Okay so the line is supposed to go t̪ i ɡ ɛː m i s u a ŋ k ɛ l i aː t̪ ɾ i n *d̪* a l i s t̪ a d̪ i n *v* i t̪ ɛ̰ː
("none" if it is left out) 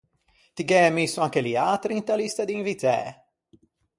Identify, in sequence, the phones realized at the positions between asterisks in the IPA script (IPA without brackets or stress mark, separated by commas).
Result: t̪, v